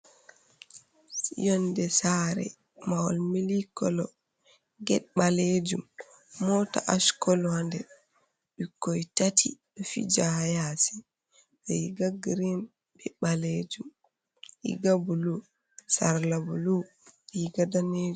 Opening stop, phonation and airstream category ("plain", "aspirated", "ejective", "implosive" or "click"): plain